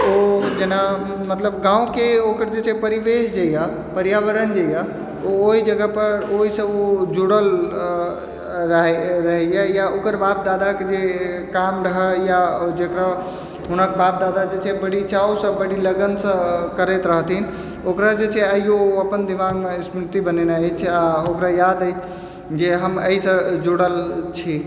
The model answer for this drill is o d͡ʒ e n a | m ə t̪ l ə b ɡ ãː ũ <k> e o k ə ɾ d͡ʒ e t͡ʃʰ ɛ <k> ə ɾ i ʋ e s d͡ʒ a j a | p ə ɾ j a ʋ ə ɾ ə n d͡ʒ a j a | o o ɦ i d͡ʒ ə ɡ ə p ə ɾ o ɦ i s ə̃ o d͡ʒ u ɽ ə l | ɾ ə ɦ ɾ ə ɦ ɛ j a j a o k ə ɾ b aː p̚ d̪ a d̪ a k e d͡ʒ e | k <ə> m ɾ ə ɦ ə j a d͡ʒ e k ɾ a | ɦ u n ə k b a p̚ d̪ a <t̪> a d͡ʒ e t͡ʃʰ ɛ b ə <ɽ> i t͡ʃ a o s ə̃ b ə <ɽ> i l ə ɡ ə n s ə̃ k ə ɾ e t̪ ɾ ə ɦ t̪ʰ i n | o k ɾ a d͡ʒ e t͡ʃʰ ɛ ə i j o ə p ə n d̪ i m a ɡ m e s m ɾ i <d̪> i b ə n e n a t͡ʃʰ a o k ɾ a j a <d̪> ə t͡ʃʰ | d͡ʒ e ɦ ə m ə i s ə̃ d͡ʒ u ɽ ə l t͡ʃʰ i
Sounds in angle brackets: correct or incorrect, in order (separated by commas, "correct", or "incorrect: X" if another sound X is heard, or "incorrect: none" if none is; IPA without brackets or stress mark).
correct, incorrect: p, incorrect: a, incorrect: d̪, correct, correct, incorrect: t̪, correct